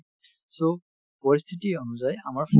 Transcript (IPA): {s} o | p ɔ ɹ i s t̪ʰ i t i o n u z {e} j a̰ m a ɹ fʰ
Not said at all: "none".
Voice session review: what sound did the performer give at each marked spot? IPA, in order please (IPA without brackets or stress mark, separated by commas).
s, a